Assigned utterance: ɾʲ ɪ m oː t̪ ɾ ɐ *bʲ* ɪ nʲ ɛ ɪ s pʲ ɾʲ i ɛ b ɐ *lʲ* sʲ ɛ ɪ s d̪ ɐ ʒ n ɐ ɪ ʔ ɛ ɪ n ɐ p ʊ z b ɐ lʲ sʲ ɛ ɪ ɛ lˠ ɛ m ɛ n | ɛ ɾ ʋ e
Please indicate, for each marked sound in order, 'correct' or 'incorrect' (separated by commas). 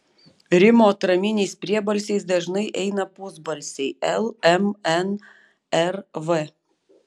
incorrect, correct